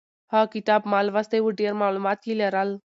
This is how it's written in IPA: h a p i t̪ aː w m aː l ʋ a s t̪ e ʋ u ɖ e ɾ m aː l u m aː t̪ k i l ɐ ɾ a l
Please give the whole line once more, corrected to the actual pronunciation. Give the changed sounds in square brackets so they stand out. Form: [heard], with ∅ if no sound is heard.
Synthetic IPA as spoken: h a [k] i t̪ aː [b] m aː l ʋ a s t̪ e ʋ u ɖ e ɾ m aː l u m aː t̪ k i l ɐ ɾ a l